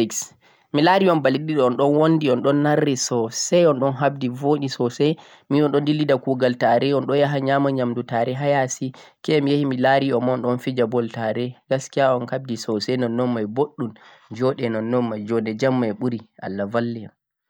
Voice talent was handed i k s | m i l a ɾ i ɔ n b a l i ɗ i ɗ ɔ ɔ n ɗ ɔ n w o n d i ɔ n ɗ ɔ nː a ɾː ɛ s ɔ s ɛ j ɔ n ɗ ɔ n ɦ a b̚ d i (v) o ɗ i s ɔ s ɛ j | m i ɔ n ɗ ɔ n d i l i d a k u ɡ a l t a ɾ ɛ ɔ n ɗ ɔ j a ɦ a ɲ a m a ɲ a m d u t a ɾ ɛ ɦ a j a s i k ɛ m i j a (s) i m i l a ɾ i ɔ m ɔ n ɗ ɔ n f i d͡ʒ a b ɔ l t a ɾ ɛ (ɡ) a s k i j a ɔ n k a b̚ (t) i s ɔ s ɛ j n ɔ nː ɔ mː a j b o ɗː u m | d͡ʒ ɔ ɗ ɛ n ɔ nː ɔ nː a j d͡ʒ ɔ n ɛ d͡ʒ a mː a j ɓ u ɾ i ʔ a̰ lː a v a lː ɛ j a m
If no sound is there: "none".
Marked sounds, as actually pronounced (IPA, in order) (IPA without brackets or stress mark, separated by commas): v, h, ɡ, d